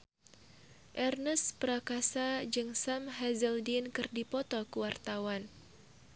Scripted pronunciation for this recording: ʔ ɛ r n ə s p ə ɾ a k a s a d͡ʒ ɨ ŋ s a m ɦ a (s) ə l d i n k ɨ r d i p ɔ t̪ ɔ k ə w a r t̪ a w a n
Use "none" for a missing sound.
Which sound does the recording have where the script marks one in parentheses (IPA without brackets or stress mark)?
z